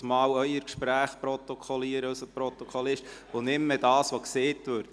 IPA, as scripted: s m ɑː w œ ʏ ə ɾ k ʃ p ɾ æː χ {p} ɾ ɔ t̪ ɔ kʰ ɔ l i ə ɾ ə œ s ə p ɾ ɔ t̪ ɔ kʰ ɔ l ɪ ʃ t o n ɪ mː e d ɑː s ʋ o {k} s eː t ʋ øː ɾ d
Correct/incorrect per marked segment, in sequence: correct, correct

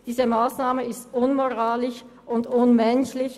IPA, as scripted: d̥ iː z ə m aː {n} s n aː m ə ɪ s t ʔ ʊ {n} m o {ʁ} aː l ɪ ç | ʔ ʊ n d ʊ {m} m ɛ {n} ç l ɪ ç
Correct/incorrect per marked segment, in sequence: incorrect: none, correct, correct, incorrect: n, correct

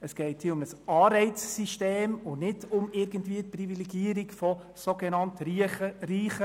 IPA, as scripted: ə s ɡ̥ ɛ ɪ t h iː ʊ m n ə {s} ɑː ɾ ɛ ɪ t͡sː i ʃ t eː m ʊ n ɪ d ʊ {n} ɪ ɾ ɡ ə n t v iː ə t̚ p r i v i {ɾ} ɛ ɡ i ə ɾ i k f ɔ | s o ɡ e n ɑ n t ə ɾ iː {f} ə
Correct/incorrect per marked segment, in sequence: correct, incorrect: m, incorrect: l, incorrect: χ

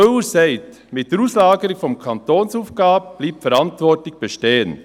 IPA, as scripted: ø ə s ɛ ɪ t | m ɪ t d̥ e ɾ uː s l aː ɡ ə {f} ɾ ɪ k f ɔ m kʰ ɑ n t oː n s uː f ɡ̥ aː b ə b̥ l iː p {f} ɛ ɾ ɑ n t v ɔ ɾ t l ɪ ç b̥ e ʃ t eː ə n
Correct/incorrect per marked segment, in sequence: incorrect: none, correct

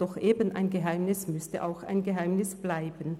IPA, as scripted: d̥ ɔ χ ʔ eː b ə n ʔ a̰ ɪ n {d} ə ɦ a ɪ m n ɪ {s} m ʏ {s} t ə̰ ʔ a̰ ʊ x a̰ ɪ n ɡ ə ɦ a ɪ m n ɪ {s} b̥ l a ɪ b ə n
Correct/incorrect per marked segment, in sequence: incorrect: ɡ, correct, correct, correct

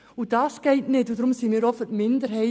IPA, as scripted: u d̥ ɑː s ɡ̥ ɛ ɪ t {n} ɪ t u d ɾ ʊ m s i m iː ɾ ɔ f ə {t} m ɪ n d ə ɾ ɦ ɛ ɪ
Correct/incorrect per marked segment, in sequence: correct, correct

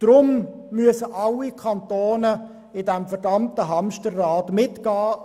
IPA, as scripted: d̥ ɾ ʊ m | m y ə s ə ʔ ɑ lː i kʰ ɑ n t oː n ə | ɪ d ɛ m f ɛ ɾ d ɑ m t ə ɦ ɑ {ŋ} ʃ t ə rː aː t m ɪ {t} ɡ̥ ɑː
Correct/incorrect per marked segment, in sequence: incorrect: m, correct

